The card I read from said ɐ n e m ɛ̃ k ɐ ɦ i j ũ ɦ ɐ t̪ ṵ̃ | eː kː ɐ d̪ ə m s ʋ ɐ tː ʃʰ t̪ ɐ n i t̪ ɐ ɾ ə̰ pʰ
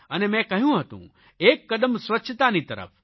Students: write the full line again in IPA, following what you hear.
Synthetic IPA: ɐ n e m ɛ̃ k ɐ ɦ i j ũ ɦ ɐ t̪ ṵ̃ | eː kː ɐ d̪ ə m s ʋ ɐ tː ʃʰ t̪ a n i t̪ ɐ ɾ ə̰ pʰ

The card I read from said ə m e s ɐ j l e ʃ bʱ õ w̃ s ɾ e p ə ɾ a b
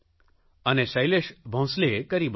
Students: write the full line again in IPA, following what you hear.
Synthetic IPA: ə n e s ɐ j l e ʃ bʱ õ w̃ s l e k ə ɾ i b

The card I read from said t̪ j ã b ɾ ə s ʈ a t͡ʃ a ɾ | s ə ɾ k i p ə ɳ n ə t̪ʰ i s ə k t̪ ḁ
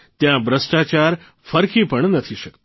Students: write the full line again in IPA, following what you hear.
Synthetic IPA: t̪ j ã b ɾ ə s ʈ a t͡ʃ a ɾ | f ə ɾ k i p ə ɳ n ə t̪ʰ i ʃ ə k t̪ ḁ

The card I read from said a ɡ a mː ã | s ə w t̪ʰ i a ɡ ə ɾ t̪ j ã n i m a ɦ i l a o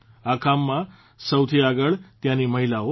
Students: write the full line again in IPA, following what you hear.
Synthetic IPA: a k a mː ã | s ə w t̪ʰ i a ɡ ə ɭ t̪ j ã n i m ə ɦ i l a o

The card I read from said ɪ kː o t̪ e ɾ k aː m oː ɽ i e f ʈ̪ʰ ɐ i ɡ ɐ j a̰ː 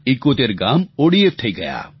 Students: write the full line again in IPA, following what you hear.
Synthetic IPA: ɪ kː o t̪ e ɾ ɡ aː m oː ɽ i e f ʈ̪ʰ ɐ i ɡ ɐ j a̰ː

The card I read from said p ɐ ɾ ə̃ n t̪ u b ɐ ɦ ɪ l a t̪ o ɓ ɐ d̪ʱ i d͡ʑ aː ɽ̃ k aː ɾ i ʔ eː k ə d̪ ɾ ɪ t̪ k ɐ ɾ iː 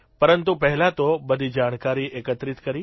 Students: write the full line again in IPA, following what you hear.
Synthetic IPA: p ɐ ɾ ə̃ n t̪ u p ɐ ɦ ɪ l a t̪ o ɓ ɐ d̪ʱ i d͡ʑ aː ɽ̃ k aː ɾ i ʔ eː k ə t̪ ɾ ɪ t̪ k ɐ ɾ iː

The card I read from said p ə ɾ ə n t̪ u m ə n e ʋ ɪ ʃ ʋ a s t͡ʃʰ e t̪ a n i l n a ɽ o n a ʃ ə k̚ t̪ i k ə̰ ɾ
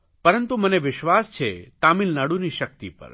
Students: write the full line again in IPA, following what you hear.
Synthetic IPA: p ə ɾ ə n t̪ u m ə n e ʋ ɪ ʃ ʋ a s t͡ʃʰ e t̪ a m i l n a ɽ u n i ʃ ə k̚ t̪ i p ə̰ ɾ

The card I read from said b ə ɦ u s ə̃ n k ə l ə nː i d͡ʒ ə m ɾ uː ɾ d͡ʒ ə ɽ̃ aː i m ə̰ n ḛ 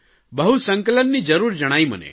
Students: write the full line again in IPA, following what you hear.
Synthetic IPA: b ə ɦ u s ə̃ ŋ k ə l ə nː i d͡ʒ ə ɾ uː ɾ d͡ʒ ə ɽ̃ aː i m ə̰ n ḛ

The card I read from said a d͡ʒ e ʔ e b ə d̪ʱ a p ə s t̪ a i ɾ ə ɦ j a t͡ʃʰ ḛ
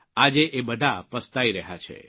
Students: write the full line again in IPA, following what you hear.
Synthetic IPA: a d͡ʒ e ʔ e b ə d̪ʱ a p ə s t̪ a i ɾ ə ɦ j a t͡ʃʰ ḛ

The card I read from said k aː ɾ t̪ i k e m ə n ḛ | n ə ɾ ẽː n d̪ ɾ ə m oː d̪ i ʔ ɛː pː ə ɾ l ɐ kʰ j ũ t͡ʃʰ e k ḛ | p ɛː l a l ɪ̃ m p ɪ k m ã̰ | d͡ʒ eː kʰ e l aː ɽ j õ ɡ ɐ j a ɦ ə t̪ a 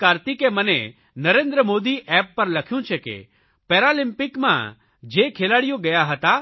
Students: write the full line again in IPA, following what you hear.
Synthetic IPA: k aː ɾ t̪ i k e m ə n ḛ | n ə ɾ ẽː n d̪ ɾ ə m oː d̪ i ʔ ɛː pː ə ɾ l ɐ kʰ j ũ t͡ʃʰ e k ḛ | p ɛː ɾ a l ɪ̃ m p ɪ k m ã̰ | d͡ʒ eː kʰ e l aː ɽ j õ ɡ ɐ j a ɦ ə t̪ a

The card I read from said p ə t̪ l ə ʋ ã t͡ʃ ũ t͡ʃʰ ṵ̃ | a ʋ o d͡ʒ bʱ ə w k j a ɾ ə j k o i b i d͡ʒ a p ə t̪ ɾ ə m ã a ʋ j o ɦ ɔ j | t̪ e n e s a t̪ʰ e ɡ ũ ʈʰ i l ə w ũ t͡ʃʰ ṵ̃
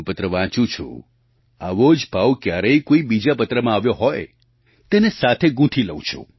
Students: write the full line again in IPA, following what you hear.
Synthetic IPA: p ə t̪ ɾ ə ʋ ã t͡ʃ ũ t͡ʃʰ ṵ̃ | a ʋ o d͡ʒ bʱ a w k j a ɾ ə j k o i b i d͡ʒ a p ə t̪ ɾ ə m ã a ʋ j o ɦ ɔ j | t̪ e n e s a t̪ʰ e ɡ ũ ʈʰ i l ə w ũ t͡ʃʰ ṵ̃

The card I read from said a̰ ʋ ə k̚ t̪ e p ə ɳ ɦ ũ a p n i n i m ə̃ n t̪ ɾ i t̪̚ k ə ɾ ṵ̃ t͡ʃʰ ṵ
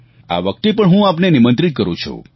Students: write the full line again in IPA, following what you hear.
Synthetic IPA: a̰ ʋ ə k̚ t̪ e p ə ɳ ɦ ũ a p n e n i m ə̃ n t̪ ɾ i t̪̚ k ə ɾ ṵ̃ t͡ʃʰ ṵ

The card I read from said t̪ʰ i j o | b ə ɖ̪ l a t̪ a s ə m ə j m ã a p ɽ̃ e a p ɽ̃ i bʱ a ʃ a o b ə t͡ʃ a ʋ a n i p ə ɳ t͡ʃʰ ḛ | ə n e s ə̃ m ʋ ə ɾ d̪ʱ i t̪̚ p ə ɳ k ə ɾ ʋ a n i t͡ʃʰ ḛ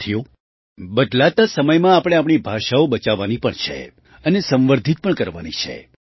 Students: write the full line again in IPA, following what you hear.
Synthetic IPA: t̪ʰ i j o | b ə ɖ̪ l a t̪ a s ə m ə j m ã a p ɽ̃ e a p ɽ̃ i bʱ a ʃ a o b ə t͡ʃ a ʋ a n i p ə ɳ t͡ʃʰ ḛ | ə n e s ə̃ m ʋ ə ɾ d̪ʱ i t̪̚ p ə ɳ k ə ɾ ʋ a n i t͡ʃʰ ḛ

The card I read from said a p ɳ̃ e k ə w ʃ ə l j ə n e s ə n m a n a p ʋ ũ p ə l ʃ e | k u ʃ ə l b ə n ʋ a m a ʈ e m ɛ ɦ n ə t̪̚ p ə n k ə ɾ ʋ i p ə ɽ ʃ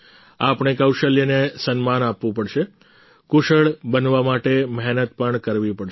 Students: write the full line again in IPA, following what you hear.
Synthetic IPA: a p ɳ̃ e k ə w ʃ ə l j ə n e s ə n m a n a p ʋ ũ p ə ɽ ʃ e | k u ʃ ə ɭ b ə n ʋ a m a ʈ e m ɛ ɦ n ə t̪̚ p ə ɳ k ə ɾ ʋ i p ə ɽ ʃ

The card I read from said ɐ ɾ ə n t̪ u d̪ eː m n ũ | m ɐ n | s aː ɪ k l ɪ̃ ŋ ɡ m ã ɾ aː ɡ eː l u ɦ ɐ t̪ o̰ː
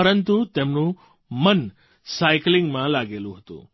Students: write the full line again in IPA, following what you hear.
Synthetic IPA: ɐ ɾ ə n t̪ u t̪ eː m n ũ | m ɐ n | s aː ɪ k l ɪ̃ ŋ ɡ m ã l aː ɡ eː l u ɦ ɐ t̪ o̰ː

